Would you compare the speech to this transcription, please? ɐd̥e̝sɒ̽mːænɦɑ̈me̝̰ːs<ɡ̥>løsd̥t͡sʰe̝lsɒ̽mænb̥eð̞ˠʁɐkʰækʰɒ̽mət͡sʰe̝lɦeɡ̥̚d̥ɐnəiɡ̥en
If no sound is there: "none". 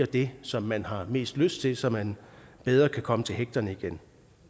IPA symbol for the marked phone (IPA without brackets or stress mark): d̥